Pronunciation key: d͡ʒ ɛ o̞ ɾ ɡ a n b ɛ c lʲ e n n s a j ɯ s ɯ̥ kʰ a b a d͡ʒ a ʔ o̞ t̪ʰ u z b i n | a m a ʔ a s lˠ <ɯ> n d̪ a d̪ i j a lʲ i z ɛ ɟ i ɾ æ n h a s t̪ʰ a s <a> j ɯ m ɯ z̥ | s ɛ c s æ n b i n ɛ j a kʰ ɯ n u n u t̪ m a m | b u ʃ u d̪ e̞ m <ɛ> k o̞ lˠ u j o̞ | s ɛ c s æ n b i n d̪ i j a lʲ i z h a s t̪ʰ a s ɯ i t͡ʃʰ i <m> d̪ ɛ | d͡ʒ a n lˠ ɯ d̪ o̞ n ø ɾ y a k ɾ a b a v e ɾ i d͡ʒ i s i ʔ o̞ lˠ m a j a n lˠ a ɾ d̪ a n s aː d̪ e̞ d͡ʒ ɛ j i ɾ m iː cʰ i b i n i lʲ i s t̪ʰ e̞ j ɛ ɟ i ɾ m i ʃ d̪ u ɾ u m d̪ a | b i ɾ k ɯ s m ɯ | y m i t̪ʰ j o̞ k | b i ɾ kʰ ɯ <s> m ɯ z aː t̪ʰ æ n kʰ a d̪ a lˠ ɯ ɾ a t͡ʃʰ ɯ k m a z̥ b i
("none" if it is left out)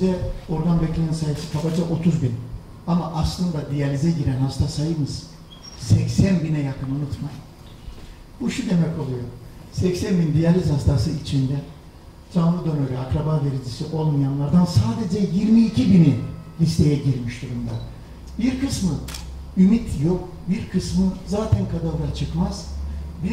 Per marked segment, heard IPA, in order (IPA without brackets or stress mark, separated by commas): ɯ, a, ɛ, n, s